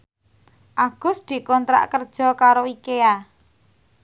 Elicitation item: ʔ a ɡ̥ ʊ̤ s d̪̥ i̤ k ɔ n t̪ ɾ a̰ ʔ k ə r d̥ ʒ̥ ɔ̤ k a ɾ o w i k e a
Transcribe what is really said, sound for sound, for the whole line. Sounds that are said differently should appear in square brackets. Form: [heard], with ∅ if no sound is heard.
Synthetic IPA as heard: ʔ a ɡ̥ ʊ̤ s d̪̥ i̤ k ɔ n t̪ ɾ a̰ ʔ k ə r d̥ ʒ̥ ɔ̤ k a ɾ o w i k e a